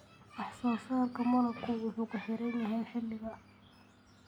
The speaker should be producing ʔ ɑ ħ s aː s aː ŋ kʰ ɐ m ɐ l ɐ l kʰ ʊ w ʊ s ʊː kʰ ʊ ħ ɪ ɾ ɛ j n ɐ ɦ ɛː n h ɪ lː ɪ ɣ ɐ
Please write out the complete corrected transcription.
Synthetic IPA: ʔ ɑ ħ s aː s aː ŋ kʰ ɐ m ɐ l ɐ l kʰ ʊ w ʊ ħ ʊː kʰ ʊ ħ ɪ ɾ ɛ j n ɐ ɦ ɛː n ħ ɪ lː ɪ ɣ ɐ